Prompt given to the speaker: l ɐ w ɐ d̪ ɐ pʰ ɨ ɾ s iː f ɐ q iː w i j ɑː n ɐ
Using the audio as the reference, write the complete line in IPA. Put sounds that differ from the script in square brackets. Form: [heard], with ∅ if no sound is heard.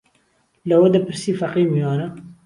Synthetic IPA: l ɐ w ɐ d̪ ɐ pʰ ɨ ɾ s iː f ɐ q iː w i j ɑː n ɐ

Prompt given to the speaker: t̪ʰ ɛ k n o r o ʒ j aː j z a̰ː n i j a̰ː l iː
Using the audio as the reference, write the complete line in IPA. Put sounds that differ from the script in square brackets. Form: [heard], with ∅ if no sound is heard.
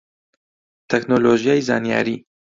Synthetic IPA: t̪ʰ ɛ k n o [l] o ʒ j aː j z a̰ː n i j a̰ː [ɾ] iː

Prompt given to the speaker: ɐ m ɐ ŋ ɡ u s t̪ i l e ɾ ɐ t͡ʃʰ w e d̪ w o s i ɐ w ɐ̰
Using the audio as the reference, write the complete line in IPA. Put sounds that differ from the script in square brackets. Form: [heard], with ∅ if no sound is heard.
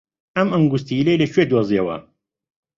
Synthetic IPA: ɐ m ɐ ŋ ɡ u s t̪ i l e [l] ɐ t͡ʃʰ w e d̪ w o [z] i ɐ w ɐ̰

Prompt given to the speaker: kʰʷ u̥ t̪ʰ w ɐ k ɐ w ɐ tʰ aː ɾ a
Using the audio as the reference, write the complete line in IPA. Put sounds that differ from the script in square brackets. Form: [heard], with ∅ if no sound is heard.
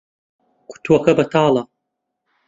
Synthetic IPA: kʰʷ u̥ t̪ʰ w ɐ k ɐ [b] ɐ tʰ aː [l] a

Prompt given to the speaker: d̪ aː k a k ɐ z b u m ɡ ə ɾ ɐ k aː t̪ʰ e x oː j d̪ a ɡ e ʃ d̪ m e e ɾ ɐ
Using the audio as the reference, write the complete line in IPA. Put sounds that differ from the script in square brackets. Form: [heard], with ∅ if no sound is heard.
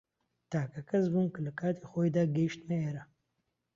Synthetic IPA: [t̪] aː k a k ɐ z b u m [k] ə [l] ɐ k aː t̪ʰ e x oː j d̪ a ɡ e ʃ [t̪] m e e ɾ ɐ

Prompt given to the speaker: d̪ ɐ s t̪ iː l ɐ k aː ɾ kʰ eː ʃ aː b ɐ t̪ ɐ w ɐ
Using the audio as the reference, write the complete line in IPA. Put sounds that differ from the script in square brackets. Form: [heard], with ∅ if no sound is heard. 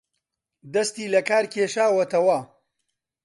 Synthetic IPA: d̪ ɐ s t̪ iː l ɐ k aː ɾ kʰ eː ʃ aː [w] ɐ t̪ ɐ w ɐ

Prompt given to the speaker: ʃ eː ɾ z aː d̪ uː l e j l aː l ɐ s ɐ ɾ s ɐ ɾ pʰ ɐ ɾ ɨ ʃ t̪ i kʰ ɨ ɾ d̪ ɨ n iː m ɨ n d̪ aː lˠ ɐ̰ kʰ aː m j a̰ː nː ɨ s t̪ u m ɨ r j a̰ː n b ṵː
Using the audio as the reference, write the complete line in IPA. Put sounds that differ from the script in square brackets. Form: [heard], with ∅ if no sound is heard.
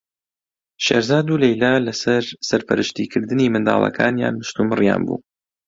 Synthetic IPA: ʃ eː ɾ z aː d̪ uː l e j l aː l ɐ s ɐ ɾ s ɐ ɾ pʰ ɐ ɾ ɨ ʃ t̪ i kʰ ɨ ɾ d̪ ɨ n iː m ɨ n d̪ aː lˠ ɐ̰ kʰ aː [n] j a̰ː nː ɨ [ʃ] t̪ u m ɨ r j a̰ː n b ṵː

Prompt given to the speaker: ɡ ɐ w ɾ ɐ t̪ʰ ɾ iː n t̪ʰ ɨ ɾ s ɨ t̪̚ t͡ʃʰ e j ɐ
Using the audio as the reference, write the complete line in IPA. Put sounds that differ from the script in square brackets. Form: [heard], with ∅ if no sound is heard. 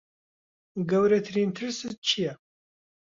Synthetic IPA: ɡ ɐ w ɾ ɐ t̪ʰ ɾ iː n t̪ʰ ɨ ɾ s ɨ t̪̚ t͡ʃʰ [i] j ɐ

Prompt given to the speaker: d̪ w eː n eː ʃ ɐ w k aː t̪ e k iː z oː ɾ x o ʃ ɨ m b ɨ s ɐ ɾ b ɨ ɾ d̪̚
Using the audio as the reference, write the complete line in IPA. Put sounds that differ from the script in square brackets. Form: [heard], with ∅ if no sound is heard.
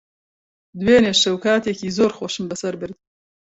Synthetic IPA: d̪ w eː n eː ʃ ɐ w k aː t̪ e k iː z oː ɾ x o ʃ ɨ m b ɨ s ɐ ɾ b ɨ ɾ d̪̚

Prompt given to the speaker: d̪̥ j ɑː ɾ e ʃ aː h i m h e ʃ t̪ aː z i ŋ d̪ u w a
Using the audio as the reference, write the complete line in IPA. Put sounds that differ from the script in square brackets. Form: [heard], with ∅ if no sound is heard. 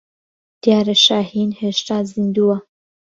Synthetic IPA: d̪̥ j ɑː ɾ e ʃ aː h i [n] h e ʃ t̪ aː z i [n] d̪ u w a

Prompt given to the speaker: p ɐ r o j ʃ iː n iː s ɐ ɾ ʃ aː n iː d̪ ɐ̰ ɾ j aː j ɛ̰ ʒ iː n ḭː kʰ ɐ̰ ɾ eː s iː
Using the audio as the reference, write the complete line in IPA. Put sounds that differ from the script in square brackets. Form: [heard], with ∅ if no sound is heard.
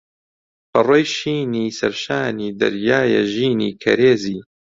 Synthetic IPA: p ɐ r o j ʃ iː n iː s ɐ ɾ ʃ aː n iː d̪ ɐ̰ ɾ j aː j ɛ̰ ʒ iː n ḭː kʰ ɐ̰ ɾ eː [z] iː

